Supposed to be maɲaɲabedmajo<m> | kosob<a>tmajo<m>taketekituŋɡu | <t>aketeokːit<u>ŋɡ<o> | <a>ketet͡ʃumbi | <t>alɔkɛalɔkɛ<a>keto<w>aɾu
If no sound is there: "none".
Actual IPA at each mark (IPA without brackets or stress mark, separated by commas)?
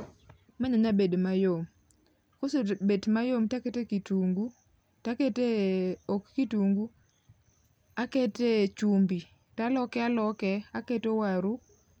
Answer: m, e, m, t, u, u, a, t, a, w